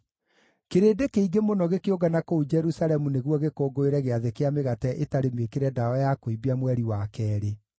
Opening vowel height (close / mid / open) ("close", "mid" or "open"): mid